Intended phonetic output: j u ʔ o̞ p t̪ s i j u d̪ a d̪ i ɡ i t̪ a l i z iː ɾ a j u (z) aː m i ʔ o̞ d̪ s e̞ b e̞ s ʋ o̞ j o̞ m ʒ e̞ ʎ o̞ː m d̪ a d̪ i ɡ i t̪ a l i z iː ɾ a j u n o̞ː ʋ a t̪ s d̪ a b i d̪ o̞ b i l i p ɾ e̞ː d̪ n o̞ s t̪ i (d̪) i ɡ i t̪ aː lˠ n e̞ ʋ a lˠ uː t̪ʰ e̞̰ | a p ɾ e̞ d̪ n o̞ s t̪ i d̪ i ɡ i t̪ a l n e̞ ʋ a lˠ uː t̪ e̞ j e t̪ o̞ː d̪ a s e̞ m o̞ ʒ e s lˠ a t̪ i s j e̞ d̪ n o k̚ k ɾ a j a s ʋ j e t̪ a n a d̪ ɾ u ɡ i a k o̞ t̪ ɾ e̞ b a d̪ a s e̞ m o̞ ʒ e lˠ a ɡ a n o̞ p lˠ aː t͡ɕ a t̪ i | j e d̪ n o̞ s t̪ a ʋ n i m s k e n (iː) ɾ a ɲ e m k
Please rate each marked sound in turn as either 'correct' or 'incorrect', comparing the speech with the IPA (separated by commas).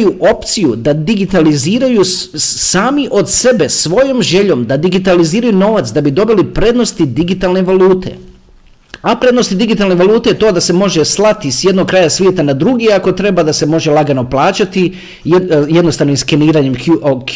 incorrect, correct, correct